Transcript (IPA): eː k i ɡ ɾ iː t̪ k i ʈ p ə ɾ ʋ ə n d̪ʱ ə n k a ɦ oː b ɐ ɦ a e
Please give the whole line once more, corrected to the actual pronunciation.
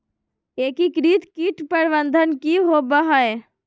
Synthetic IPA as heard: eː k i k ɾ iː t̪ k i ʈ p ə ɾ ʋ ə n d̪ʱ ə n k i ɦ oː b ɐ ɦ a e